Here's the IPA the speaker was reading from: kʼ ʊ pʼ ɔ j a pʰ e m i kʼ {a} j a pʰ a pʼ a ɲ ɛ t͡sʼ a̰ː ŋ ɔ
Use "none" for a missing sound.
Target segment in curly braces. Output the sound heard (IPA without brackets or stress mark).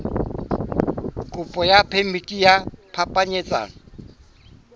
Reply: i